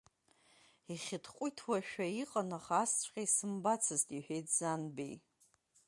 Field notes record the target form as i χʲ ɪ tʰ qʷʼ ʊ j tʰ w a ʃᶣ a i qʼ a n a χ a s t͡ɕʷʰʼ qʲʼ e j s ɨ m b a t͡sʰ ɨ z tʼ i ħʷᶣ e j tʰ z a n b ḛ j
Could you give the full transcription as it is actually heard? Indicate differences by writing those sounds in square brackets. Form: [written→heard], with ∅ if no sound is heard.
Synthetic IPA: i χʲ ɪ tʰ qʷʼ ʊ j tʰ w a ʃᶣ a i qʼ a n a χ a s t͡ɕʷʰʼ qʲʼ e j s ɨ m b a t͡sʰ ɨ z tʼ i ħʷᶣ e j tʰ z a n b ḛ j